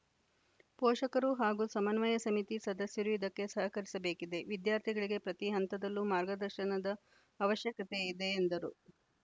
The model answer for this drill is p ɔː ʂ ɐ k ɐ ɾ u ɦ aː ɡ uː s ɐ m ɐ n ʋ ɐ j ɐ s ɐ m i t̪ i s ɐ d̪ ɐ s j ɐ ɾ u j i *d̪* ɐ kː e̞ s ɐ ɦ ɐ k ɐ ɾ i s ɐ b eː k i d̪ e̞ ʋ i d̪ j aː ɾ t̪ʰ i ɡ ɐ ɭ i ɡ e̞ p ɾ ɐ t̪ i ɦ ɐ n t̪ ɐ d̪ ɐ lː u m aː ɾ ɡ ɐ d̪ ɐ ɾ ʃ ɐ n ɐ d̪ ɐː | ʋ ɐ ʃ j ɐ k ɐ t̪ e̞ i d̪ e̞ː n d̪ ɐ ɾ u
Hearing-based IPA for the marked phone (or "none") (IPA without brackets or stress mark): d̪